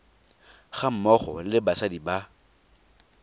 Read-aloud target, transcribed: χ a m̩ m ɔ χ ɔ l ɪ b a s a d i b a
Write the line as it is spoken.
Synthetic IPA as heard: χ a m̩ m ɔ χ ɔ l ɪ b a s a d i b a